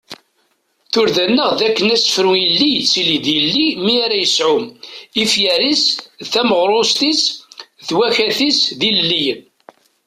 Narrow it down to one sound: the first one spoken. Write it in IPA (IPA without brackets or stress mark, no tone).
θ